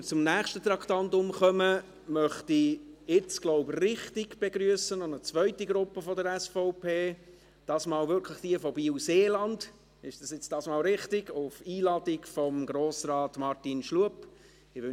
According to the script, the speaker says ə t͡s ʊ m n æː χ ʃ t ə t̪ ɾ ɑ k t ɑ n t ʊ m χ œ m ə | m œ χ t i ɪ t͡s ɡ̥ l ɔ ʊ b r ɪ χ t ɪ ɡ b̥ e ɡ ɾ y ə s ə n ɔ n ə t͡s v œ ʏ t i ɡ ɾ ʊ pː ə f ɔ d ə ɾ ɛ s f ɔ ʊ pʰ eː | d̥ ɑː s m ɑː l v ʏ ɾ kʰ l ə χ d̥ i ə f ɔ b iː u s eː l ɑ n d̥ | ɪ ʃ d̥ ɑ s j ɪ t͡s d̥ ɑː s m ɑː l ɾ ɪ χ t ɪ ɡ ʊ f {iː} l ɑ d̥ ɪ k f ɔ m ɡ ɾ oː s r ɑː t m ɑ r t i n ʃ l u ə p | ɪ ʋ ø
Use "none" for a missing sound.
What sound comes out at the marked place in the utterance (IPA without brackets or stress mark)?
iː